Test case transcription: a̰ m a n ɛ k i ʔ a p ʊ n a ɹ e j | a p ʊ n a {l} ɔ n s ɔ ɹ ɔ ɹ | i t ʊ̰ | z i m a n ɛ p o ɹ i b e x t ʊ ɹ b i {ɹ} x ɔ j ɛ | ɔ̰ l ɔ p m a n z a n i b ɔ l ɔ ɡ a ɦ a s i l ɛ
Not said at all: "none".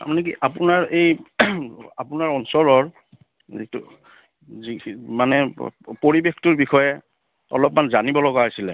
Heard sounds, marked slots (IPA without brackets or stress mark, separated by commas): ɹ, none